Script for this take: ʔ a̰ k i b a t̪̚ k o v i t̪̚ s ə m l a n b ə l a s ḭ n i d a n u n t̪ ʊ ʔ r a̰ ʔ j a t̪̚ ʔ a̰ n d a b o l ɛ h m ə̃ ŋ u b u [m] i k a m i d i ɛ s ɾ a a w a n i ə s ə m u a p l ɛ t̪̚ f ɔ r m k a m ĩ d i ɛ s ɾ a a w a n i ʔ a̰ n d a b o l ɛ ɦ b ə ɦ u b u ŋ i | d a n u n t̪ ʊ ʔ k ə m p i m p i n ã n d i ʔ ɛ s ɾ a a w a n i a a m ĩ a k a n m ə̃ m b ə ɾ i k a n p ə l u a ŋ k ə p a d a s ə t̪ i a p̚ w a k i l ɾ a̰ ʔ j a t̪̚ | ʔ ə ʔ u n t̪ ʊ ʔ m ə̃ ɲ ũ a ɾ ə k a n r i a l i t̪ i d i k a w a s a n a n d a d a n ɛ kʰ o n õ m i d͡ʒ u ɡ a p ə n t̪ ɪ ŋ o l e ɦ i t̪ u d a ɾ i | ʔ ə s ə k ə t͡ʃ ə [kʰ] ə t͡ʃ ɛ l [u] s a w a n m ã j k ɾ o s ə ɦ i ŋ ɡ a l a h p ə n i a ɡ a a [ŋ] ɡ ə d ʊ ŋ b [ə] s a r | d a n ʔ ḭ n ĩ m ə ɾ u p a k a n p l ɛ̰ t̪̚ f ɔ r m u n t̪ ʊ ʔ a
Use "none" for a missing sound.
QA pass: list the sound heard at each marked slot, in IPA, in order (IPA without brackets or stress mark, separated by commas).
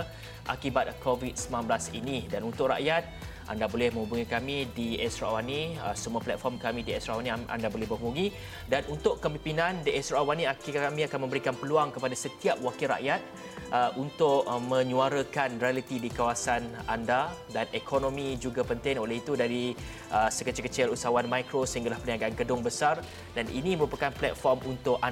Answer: ŋ, k, u, n, ə